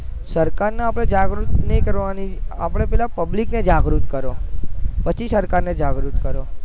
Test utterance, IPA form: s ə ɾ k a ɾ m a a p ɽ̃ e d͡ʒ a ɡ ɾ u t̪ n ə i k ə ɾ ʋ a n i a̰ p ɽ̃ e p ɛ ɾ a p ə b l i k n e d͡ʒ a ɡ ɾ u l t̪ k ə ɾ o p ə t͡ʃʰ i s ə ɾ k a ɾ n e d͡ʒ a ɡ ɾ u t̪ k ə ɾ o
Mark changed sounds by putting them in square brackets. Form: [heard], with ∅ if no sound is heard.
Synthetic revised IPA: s ə ɾ k a ɾ [n] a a p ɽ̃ e d͡ʒ a ɡ ɾ u t̪ n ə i k ə ɾ ʋ a n i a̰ p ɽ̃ e p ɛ [l] a p ə b l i k n e d͡ʒ a ɡ ɾ u [∅] t̪ k ə ɾ o p ə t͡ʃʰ i s ə ɾ k a ɾ n e d͡ʒ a ɡ ɾ u t̪ k ə ɾ o